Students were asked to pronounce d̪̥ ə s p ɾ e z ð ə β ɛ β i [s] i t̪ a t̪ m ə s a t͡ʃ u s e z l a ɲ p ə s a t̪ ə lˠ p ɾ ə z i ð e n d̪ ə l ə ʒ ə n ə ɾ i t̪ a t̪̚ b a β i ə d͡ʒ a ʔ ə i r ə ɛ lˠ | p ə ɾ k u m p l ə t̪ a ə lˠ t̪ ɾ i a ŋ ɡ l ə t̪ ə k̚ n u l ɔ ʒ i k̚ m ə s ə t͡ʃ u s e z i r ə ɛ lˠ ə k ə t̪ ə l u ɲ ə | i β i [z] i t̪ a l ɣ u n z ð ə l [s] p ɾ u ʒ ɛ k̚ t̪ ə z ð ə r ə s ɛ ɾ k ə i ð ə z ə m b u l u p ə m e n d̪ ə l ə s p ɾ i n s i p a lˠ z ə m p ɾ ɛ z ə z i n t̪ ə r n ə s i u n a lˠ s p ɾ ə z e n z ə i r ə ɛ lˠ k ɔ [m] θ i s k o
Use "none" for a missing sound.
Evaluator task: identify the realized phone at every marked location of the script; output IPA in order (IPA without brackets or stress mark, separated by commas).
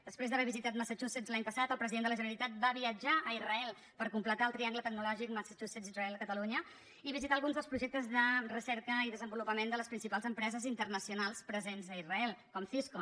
z, z, s, m